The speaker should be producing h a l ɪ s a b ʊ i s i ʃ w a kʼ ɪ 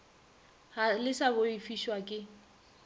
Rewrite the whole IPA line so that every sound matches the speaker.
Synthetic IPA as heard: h a l ɪ s a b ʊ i f i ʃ w a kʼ ɪ